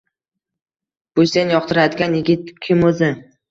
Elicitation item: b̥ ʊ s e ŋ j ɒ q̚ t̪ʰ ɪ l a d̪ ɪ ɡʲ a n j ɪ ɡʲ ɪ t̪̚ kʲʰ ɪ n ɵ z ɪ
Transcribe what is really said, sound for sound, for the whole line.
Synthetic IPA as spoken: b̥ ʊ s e n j ɒ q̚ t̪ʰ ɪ ɾ a d̪ ɪ ɡʲ a n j ɪ ɡʲ ɪ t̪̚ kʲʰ ɪ m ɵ z ɪ